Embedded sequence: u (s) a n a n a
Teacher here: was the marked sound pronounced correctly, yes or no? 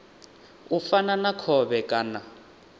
no